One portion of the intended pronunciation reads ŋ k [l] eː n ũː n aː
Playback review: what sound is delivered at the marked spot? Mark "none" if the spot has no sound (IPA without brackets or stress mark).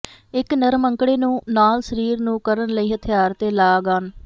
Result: ɽ